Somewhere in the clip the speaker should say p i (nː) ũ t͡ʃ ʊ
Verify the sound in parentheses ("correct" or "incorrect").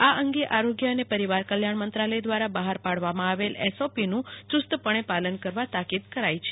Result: incorrect